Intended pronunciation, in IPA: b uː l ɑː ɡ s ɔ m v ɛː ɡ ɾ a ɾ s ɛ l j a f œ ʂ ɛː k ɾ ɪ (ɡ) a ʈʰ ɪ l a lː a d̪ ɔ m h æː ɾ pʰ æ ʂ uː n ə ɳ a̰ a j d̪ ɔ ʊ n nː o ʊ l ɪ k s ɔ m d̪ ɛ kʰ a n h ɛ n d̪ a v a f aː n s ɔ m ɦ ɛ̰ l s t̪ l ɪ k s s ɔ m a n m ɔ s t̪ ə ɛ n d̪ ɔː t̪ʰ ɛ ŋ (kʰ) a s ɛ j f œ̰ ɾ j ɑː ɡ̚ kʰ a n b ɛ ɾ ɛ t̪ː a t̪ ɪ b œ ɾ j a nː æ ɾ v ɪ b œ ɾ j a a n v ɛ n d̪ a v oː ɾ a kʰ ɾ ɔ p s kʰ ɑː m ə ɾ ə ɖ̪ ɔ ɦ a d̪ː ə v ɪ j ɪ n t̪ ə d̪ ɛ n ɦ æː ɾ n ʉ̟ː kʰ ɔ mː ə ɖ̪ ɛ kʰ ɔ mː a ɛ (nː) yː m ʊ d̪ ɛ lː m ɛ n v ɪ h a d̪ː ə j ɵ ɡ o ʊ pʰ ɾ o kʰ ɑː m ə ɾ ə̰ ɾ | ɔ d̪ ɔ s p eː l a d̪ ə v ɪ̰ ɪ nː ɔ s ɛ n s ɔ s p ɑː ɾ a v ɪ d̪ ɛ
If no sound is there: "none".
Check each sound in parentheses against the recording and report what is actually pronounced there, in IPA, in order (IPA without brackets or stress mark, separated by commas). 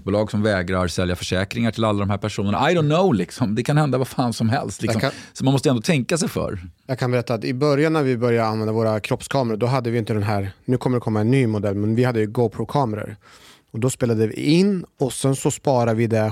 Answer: ŋ, k, nː